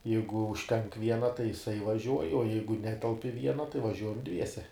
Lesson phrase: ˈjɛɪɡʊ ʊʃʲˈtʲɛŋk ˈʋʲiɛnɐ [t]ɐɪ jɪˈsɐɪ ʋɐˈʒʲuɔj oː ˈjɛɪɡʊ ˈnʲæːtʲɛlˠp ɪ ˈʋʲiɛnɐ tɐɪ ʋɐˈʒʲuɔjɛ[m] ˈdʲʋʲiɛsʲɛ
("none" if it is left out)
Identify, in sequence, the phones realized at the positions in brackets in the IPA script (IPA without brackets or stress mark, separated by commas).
t, m